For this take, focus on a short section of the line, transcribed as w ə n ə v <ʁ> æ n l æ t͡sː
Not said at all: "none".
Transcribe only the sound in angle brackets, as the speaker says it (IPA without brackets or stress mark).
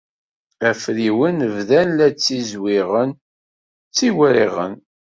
ð